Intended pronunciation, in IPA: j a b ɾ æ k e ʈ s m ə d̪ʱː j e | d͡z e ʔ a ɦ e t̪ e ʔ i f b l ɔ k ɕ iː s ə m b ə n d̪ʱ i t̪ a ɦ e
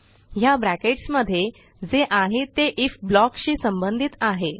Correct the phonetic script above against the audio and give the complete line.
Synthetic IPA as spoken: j a b ɾ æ k e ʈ s m ə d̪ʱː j e | d͡z e ʔ a ɦ e t̪ e ʔ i f b l ɔ k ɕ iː s ə m b ə n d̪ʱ i t̪ a ɦ e